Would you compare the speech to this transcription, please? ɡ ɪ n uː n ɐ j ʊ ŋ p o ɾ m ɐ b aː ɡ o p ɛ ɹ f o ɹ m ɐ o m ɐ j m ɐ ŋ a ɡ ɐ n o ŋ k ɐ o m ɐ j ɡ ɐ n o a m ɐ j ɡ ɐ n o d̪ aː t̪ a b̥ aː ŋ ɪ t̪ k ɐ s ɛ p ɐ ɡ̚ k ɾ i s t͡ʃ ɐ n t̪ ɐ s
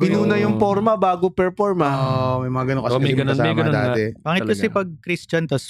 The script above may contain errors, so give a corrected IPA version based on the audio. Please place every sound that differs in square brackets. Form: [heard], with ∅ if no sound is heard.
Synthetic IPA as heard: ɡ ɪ n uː n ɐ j ʊ ŋ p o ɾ m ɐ b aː ɡ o p ɛ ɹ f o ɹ m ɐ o m ɐ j m ɐ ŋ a ɡ ɐ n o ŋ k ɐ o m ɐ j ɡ ɐ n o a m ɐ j ɡ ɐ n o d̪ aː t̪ [ɛ] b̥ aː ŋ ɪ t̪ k ɐ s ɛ p ɐ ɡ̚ k ɾ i s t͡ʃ ɐ n t̪ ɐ s